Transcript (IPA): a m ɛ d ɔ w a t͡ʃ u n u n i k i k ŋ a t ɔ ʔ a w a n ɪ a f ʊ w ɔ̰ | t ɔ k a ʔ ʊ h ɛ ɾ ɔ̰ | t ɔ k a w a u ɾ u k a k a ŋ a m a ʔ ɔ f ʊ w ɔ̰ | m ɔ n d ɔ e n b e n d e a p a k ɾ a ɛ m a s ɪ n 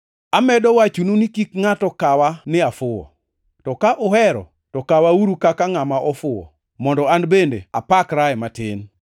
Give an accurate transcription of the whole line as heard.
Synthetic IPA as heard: a m ɛ d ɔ w a t͡ʃ u n u n i k i k ŋ a t ɔ k a w a n ɪ a f ʊ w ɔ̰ | t ɔ k a ʔ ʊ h ɛ ɾ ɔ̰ | t ɔ k a w a u ɾ u k a k a ŋ a m a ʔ ɔ f ʊ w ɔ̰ | m ɔ n d ɔ a n b e n d e a p a k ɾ a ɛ m a t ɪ n